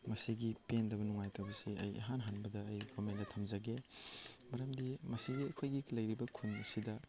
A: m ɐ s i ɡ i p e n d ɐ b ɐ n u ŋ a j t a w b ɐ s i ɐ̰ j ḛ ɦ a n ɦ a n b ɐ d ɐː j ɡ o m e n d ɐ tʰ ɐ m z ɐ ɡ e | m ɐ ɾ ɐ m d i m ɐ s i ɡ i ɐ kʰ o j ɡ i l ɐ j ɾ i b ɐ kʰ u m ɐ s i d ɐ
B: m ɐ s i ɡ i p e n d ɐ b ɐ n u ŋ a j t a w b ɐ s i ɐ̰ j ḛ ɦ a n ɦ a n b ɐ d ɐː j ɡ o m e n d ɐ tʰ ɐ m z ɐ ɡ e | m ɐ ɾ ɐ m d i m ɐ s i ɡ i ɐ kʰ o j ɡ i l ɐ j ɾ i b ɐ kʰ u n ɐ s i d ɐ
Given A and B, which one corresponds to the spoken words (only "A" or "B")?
B